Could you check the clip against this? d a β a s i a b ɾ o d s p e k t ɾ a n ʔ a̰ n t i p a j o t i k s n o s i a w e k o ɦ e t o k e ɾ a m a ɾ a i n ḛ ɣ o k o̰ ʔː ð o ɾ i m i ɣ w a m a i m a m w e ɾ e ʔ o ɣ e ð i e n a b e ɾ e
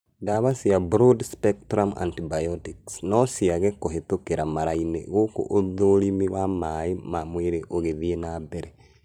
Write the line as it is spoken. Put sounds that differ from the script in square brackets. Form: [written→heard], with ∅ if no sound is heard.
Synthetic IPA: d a β a s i a b ɾ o d s p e k t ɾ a [n→m] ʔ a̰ n t i [p→b] a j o t i k s n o s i a [w→ɣ] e k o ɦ e t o k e ɾ a m a ɾ a i n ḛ ɣ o k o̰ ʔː ð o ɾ i m i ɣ w a m a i m a m w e ɾ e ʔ o ɣ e ð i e n a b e ɾ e